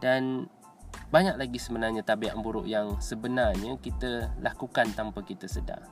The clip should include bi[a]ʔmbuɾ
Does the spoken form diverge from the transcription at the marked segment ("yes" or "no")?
no